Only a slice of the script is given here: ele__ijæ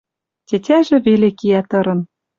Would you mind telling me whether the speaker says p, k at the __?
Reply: k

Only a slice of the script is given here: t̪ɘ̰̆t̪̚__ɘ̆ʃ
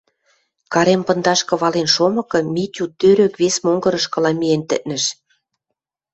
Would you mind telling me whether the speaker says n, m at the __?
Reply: n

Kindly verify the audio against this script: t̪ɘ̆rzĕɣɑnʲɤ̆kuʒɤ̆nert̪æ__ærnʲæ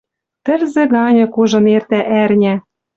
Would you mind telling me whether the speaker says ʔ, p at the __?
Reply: ʔ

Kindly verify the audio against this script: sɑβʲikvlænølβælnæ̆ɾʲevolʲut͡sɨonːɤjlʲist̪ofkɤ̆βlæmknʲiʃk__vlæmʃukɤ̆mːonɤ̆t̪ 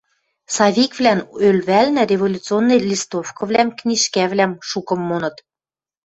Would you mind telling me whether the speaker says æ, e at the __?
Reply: æ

